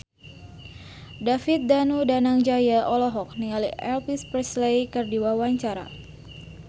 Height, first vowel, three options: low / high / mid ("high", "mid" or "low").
low